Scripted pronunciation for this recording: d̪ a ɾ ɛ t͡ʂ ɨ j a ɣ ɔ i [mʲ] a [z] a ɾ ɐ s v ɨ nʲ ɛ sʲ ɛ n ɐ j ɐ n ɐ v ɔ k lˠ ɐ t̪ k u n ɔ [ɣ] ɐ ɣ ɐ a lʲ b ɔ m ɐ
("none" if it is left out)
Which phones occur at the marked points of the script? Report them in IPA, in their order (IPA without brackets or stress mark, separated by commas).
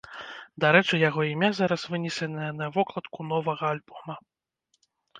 mʲ, z, v